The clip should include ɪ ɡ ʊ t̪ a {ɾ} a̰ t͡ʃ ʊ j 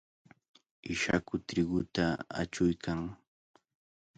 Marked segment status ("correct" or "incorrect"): incorrect